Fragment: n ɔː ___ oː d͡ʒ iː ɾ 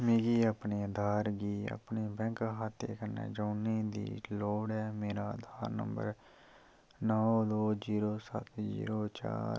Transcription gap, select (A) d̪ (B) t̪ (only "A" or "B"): A